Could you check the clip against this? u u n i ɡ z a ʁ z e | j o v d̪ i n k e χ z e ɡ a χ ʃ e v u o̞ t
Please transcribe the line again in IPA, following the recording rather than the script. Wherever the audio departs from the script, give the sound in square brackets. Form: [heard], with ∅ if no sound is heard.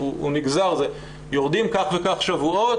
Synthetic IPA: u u n i ɡ z a ʁ z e | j o [ʁ] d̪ i [m] k [a] χ [v] e [k] a χ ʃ [a] v u o̞ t